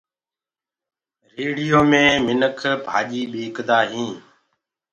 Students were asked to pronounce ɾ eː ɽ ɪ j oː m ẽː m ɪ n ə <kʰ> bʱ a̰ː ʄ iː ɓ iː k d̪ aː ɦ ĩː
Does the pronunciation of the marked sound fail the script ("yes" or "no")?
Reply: no